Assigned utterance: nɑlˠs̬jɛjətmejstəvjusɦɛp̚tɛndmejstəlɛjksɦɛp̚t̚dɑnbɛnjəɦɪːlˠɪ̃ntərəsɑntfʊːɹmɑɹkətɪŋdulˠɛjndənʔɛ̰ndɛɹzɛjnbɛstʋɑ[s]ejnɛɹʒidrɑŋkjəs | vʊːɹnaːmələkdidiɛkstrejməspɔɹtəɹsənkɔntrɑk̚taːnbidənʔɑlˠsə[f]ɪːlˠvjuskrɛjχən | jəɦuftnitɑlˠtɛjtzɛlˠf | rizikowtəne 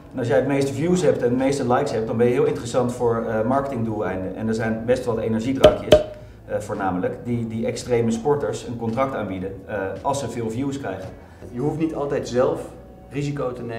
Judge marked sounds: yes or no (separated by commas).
no, no